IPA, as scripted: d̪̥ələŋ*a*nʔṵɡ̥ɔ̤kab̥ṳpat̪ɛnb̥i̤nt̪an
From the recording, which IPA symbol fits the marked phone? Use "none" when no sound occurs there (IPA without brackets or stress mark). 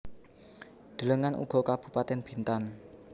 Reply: a